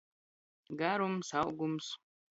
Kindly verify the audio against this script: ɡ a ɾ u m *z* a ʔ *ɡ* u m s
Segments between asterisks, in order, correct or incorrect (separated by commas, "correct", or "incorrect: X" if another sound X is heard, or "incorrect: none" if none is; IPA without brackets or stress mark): incorrect: s, correct